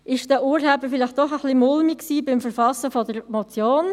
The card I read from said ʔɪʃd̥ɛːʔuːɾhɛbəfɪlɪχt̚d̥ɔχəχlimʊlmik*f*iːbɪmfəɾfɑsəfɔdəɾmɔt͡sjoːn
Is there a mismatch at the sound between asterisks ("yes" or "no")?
yes